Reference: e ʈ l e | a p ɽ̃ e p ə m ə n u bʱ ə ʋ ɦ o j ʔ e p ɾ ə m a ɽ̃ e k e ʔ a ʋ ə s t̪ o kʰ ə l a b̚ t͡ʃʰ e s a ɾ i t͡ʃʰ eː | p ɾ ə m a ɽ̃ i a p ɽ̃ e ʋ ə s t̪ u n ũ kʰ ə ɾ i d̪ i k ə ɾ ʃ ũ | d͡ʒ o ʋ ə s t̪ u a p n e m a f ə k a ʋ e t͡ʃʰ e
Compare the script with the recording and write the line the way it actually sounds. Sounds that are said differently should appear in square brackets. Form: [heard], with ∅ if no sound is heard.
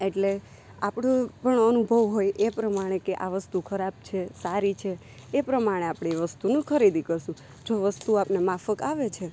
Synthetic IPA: e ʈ l e | a p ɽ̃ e p ə [ɳ] ə n u bʱ ə ʋ ɦ o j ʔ e p ɾ ə m a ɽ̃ e k e ʔ a ʋ ə s t̪ [u] kʰ ə [ɾ] a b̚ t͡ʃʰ e s a ɾ i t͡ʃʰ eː | p ɾ ə m a ɽ̃ [e] a p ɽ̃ e ʋ ə s t̪ u n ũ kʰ ə ɾ i d̪ i k ə ɾ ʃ ũ | d͡ʒ o ʋ ə s t̪ u a p n e m a f ə k a ʋ e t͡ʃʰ e